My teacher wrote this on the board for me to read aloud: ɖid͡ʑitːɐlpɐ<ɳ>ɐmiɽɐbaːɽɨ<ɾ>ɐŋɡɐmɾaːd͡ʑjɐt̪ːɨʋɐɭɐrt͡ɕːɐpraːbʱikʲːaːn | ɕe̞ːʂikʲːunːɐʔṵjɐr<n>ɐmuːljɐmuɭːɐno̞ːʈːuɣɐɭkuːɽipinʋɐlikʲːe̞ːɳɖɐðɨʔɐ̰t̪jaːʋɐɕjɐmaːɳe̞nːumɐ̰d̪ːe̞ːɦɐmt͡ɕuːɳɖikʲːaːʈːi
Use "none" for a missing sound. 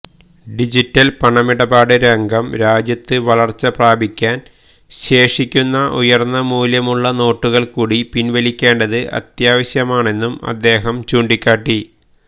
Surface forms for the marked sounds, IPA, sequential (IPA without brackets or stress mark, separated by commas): ɳ, ɾ, nː